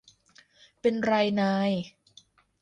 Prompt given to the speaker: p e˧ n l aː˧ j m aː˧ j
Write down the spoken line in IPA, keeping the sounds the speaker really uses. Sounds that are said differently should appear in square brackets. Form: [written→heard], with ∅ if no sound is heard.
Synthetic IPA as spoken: p e˧ n [l→ɾ] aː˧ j [m→n] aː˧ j